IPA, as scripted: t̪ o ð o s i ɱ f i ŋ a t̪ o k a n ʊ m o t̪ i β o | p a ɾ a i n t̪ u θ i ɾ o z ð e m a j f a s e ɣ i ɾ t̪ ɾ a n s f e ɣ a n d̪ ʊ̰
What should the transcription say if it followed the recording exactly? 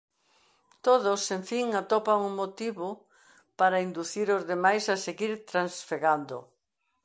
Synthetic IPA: t̪ o ð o s e ɱ f i ŋ a t̪ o p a ŋ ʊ m o t̪ i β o | p a ɾ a i n d̪ u θ i ɾ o z ð e m a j s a s e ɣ i ɾ t̪ ɾ a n s f e ɣ a n d̪ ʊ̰